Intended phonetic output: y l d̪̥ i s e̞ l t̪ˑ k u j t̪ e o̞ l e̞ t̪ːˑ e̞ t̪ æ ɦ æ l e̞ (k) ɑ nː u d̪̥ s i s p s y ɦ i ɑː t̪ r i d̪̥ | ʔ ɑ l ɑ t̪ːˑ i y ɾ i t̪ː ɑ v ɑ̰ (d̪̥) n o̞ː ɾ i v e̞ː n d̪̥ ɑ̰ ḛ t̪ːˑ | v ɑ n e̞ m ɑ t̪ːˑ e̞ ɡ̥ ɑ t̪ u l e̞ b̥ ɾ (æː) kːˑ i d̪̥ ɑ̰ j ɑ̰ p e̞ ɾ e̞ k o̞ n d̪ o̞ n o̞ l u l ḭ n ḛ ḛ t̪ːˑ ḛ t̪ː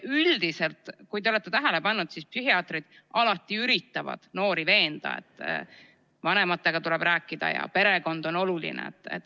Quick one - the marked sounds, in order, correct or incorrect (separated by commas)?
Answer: incorrect, correct, correct